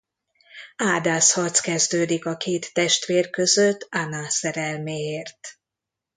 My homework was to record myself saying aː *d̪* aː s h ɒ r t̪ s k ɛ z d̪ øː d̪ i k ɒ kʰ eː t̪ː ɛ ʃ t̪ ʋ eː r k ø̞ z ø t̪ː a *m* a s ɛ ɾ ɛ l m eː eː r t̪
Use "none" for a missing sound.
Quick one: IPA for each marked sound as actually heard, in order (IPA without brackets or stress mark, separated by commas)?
d̪, n